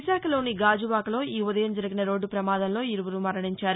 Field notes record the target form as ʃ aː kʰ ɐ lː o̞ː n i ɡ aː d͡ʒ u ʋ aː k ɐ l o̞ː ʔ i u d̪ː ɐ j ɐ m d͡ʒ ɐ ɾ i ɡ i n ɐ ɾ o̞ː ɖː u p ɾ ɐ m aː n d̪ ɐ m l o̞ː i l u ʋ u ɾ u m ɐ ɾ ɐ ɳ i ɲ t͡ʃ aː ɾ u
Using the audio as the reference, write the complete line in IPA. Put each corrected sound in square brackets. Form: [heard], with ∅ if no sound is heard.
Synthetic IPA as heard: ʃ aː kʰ ɐ [l] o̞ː n i ɡ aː d͡ʒ u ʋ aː k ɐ l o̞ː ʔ [iː] u [d̪] ɐ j ɐ m d͡ʒ ɐ ɾ i ɡ i n ɐ ɾ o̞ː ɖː u p ɾ ɐ m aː [∅] d̪ ɐ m l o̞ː i [ɾ] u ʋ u ɾ u m ɐ ɾ ɐ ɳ i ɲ t͡ʃ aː ɾ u